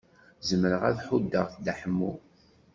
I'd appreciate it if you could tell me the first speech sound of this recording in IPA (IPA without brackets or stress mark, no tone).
z